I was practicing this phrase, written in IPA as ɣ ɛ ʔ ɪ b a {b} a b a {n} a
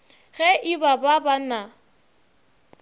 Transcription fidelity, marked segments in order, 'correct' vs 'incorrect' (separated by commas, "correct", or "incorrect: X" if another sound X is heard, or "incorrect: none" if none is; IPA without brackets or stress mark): correct, correct